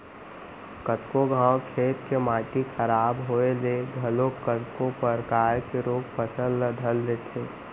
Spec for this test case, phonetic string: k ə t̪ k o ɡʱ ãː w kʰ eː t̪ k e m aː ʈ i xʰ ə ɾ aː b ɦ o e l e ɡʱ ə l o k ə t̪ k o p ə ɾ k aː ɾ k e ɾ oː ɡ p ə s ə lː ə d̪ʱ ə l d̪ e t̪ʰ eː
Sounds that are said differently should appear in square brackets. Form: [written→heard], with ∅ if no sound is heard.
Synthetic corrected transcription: k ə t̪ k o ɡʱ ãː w kʰ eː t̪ k e m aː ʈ i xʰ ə ɾ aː b ɦ o e l e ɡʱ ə l o k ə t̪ k o p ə ɾ k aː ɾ k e ɾ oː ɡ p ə s ə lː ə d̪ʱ ə l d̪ e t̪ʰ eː

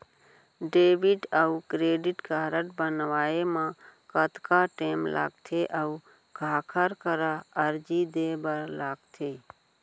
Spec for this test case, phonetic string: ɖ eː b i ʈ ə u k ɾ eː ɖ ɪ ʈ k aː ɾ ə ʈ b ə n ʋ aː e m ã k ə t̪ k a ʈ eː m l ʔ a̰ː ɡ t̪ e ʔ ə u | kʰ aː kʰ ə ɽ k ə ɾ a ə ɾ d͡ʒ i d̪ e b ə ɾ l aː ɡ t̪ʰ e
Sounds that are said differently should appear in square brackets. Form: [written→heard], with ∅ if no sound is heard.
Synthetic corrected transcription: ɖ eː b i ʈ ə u k ɾ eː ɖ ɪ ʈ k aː ɾ ə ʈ b ə n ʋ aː e m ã k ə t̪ k a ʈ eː m l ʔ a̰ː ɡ [t̪→t̪ʰ] e ʔ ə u | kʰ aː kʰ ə [ɽ→ɾ] k ə ɾ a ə ɾ d͡ʒ i d̪ e b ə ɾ l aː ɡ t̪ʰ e

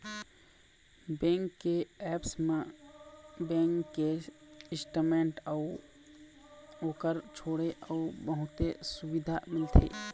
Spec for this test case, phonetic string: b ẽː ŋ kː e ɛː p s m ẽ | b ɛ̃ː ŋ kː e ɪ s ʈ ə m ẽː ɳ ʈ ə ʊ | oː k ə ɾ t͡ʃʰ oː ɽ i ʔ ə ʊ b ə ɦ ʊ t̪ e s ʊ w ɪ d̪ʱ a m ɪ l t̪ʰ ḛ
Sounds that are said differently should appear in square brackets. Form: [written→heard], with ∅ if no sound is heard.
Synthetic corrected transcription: b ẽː ŋ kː e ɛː p s m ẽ | b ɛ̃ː ŋ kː e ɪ s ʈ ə m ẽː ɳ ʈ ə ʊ | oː k ə ɾ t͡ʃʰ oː ɽ [i→e] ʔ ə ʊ b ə ɦ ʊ t̪ e s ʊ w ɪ d̪ʱ a m ɪ l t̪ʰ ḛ

